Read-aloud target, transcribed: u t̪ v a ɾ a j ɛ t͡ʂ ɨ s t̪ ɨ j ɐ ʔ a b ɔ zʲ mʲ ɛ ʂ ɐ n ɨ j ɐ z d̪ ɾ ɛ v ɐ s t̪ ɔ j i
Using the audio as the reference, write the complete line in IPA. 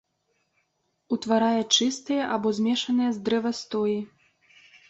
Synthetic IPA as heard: u t̪ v a ɾ a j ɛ t͡ʂ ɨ s t̪ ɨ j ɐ ʔ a b ɔ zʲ mʲ ɛ ʂ ɐ n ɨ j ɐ z d̪ ɾ ɛ v ɐ s t̪ ɔ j i